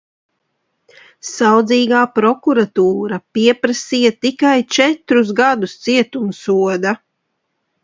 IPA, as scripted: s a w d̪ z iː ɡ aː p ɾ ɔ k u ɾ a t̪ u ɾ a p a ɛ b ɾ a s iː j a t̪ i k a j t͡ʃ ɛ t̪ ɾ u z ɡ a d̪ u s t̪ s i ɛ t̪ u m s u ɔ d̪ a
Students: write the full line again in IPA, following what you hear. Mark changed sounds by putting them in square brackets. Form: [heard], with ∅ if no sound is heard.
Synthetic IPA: s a w d̪ z iː ɡ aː p ɾ ɔ k u ɾ a t̪ [uː] ɾ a p [i] ɛ [p] ɾ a s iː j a t̪ i k a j t͡ʃ ɛ t̪ ɾ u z ɡ a d̪ u s t̪ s i ɛ t̪ u m s u ɔ d̪ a

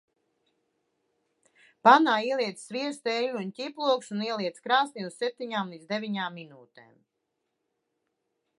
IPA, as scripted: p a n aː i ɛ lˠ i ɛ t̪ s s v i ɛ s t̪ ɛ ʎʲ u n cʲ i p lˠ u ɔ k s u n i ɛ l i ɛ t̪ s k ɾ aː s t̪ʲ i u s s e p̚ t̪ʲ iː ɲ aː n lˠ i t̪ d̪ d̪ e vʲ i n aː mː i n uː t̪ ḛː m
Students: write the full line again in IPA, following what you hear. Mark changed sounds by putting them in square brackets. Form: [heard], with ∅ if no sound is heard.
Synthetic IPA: p a n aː i ɛ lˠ i ɛ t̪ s s v i ɛ s t̪ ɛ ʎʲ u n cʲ i p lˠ u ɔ k s u n i ɛ l i ɛ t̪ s k ɾ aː s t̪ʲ i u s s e p̚ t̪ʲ [i] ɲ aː [m] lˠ i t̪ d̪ d̪ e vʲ i [ɲ] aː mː i n uː t̪ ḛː m

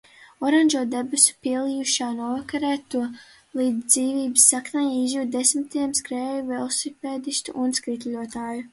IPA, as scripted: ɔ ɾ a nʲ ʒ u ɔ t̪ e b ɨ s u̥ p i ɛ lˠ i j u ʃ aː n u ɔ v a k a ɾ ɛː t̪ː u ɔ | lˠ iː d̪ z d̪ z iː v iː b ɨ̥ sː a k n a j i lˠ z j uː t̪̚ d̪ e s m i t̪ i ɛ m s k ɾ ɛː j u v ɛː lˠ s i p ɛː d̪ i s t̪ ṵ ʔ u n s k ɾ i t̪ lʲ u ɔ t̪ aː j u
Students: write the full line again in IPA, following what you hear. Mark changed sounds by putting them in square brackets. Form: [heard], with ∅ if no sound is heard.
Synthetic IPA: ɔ ɾ a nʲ ʒ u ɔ [d̪] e b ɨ s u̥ p i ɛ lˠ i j u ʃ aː n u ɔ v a k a ɾ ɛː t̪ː u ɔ | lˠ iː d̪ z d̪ z iː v iː b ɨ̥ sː a k n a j i [∅] z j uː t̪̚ d̪ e s m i t̪ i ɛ m s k ɾ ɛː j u v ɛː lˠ s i p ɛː d̪ i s t̪ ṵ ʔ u n s k ɾ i t̪ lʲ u ɔ t̪ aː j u

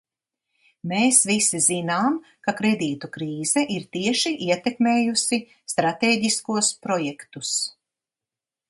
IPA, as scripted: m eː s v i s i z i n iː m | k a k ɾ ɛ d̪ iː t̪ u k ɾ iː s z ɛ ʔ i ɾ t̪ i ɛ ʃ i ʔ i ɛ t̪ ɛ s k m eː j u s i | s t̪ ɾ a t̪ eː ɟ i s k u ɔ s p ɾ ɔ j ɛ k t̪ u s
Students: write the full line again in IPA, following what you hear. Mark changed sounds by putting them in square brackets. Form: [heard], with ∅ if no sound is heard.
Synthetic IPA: m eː s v i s i z i n [aː] m | k a k ɾ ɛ d̪ iː t̪ u k ɾ iː [∅] z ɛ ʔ i ɾ t̪ i ɛ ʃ i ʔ i ɛ t̪ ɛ [∅] k m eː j u s i | s t̪ ɾ a t̪ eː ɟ i s k u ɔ s p ɾ ɔ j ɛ k t̪ u s

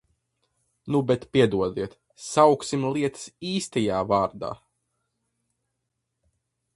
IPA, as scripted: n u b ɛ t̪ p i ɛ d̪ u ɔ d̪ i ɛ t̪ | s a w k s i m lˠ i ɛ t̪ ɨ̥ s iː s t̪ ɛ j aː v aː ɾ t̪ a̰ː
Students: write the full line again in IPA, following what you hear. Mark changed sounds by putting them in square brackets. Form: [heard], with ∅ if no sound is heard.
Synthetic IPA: n u b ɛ t̪ p i ɛ d̪ u ɔ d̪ i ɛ t̪ | s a w k s i m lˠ i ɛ t̪ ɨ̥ s iː s t̪ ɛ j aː v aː ɾ [d̪] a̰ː

